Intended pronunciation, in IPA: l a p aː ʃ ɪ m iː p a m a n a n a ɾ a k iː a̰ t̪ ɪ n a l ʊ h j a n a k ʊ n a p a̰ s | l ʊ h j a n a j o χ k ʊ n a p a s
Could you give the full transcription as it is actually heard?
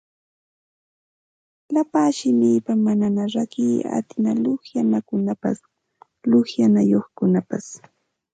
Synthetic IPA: l a p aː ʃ ɪ m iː p a m a n a n a ɾ a k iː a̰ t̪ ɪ n a l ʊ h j a n a k ʊ n a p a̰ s | l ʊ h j a n a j o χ k ʊ n a p a s